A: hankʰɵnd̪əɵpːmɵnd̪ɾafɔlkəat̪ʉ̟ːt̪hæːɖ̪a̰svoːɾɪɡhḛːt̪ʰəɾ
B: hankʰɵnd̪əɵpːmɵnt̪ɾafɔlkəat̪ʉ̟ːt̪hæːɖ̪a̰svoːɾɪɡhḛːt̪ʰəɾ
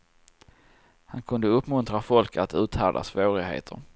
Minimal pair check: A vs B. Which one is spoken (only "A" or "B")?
B